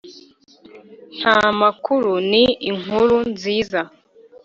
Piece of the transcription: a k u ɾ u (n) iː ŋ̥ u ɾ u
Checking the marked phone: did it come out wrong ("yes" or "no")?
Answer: no